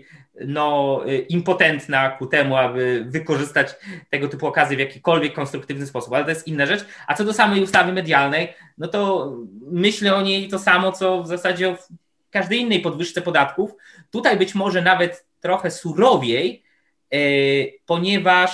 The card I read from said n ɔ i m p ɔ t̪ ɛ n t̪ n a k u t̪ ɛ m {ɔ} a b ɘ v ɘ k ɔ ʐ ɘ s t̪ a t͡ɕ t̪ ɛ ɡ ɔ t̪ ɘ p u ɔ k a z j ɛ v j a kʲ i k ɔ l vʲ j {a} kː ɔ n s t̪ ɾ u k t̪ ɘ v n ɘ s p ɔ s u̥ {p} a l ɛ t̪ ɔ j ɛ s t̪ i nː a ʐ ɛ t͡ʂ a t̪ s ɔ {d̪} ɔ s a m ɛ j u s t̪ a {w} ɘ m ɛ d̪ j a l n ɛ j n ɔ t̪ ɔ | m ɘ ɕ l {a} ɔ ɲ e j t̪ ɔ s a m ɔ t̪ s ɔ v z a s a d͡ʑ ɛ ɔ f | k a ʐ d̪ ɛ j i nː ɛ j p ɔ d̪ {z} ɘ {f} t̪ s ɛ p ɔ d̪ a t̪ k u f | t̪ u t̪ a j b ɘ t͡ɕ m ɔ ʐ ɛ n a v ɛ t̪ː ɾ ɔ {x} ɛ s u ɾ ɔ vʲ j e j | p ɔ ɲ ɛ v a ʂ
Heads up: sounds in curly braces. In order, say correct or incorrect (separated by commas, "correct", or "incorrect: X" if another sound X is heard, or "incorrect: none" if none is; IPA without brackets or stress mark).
incorrect: u, incorrect: ɛ, correct, correct, incorrect: v, incorrect: ɛ, incorrect: v, incorrect: ʂ, correct